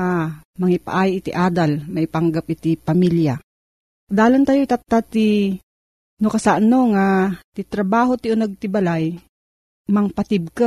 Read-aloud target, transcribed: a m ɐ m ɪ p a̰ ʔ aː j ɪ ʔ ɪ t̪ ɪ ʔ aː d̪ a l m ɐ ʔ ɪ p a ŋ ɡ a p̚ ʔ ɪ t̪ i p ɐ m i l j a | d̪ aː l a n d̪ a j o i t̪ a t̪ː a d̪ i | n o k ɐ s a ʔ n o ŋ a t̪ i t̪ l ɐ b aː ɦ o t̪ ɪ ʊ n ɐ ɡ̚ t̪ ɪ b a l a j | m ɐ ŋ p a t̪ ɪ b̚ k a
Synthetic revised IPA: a m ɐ ŋ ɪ p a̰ ʔ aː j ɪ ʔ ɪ t̪ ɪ ʔ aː d̪ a l m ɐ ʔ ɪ p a ŋ ɡ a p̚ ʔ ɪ t̪ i p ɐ m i l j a | d̪ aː l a n t̪ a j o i t̪ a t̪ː a t̪ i | n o k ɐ s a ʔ n o ŋ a t̪ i t̪ ɾ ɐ b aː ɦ o t̪ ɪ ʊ n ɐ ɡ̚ t̪ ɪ b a l a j | m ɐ ŋ p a t̪ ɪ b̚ k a